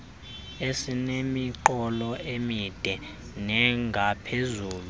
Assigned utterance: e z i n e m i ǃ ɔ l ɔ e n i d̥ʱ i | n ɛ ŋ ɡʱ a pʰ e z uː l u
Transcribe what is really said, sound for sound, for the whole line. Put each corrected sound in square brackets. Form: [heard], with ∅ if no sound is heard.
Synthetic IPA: e [s] i n e m i ǃ ɔ l ɔ e [m] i d̥ʱ [ɛ] | n ɛ ŋ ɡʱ a pʰ e z uː l u

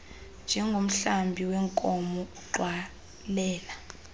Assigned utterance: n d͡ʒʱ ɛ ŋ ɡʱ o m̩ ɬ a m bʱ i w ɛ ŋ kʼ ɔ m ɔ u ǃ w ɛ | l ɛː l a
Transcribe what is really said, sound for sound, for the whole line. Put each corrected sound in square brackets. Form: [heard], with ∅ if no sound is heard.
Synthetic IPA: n d͡ʒʱ ɛ ŋ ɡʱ o m̩ ɬ a m bʱ i w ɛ ŋ kʼ ɔ m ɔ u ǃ w [a] | l ɛː l a

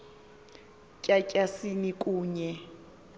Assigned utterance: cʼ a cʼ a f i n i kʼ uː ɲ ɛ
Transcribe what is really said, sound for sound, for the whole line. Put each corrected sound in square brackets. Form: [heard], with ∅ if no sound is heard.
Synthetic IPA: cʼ a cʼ a [s] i n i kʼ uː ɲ ɛ

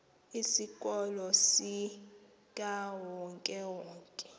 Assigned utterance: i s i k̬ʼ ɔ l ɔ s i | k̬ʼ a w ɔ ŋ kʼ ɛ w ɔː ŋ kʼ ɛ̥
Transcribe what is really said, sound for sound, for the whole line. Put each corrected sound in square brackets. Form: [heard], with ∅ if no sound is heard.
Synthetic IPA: i s i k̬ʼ ɔ l ɔ s i | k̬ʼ a w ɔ ŋ kʼ ɛ w ɔː ŋ kʼ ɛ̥

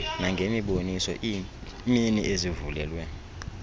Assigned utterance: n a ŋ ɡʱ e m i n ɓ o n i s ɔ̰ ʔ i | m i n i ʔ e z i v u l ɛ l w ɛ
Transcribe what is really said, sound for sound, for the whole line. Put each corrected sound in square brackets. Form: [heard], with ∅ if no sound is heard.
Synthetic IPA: n a ŋ ɡʱ e m i [∅] ɓ o n i s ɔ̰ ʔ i | m i n i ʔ e z i v u l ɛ l w ɛ

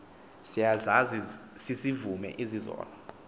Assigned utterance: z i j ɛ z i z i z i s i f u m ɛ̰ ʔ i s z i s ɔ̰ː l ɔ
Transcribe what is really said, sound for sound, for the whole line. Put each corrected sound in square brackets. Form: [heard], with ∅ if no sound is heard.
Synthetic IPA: [s] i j [a] z [a] z i [s] i s i [v] u m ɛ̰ ʔ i [∅] z i [z] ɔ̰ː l ɔ

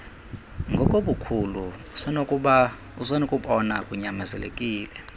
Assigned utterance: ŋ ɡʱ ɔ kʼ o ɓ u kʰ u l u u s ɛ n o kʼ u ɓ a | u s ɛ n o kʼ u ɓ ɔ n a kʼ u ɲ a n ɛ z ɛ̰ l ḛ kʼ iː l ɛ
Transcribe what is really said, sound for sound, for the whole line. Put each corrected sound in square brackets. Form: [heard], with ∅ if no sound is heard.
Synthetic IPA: ŋ ɡʱ ɔ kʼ o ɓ u kʰ u l u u s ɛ n o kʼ u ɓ a | u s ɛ n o kʼ u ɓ ɔ n a kʼ u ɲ a [m] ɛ z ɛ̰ l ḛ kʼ iː l ɛ

